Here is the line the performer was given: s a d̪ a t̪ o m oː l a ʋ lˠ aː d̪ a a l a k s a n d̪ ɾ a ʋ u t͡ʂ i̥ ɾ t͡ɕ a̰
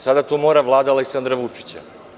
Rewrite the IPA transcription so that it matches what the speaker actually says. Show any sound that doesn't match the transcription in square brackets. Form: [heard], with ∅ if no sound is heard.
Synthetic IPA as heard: s a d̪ a t̪ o m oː [ɾ] a ʋ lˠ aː d̪ a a l [e] k s a n d̪ ɾ a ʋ u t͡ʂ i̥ [∅] t͡ɕ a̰